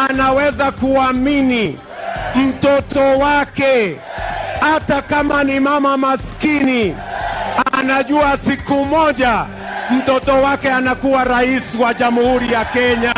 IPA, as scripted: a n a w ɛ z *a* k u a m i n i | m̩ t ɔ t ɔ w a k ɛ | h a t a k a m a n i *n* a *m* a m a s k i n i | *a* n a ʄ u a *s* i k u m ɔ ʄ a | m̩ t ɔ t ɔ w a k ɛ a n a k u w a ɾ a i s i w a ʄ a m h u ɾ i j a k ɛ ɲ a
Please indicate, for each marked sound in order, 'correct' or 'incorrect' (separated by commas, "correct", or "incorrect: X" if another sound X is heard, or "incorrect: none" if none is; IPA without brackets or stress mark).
correct, incorrect: m, correct, correct, correct